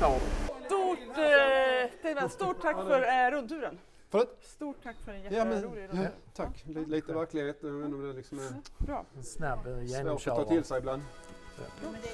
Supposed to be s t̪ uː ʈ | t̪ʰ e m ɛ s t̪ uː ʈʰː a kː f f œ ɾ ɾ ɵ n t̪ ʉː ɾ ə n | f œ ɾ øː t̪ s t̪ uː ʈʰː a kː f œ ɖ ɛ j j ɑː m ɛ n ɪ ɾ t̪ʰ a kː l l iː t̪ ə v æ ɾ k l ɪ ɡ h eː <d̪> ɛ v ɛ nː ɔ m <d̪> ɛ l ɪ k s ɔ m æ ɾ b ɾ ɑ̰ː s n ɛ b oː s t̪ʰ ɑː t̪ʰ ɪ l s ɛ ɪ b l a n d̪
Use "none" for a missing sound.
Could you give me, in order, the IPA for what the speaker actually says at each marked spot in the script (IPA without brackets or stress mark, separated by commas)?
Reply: t̪, d̪